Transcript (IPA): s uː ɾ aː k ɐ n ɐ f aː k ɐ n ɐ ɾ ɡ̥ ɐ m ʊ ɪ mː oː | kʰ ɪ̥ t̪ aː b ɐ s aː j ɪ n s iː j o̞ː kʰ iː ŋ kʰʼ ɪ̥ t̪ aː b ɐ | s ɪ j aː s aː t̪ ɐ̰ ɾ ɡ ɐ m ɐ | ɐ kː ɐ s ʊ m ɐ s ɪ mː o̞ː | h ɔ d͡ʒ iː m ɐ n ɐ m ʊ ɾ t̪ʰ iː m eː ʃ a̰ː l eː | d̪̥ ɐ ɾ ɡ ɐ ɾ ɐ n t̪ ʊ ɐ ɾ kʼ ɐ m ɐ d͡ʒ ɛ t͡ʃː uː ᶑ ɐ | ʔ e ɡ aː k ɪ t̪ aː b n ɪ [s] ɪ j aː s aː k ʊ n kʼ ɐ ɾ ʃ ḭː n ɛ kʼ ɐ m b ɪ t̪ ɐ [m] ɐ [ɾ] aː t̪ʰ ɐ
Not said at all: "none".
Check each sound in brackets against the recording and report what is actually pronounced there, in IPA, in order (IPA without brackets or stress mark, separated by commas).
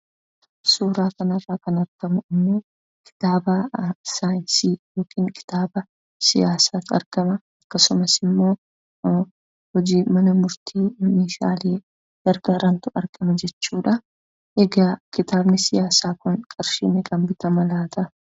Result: s, m, l